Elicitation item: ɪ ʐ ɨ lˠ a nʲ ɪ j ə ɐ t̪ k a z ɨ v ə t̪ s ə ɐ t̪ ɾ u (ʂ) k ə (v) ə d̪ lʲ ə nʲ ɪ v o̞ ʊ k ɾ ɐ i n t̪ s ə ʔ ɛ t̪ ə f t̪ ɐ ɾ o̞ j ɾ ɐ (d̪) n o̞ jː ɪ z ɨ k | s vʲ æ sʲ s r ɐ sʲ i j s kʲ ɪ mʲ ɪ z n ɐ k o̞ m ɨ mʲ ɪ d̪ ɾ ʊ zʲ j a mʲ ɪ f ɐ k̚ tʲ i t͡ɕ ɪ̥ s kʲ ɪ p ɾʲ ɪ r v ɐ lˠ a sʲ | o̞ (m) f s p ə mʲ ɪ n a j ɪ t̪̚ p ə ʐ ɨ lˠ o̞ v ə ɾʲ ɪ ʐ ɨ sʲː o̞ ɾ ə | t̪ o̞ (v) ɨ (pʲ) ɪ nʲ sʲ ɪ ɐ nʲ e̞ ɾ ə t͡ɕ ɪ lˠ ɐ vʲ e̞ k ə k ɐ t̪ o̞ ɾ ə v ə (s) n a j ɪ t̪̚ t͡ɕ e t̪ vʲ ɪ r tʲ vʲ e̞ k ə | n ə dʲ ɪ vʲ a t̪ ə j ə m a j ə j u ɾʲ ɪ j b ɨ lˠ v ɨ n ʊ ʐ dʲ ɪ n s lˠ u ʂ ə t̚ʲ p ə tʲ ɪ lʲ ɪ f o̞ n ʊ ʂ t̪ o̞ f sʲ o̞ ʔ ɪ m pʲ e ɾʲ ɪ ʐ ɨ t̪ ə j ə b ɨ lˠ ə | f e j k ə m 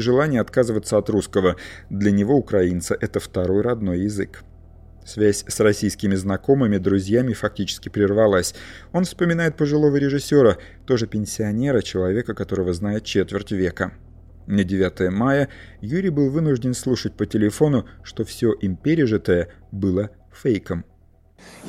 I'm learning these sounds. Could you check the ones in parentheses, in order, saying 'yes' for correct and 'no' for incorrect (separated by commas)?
no, yes, yes, no, no, yes, no